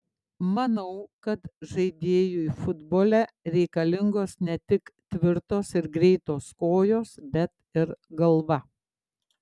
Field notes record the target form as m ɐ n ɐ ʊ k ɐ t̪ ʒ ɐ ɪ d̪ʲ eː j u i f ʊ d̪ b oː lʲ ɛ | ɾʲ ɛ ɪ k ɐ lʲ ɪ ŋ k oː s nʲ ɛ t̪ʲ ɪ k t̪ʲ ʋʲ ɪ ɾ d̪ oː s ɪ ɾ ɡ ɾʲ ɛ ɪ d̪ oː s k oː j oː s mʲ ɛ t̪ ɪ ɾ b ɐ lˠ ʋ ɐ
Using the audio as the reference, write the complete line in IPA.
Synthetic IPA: m ɐ n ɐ ʊ k ɐ t̪ ʒ ɐ ɪ d̪ʲ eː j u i f ʊ d̪ b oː lʲ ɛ | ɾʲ ɛ ɪ k ɐ lʲ ɪ ŋ ɡ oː s nʲ ɛ t̪ʲ ɪ k t̪ʲ ʋʲ ɪ ɾ t̪ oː s ɪ ɾ ɡ ɾʲ ɛ ɪ t̪ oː s k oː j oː s bʲ ɛ t̪ ɪ ɾ ɡ ɐ lˠ ʋ ɐ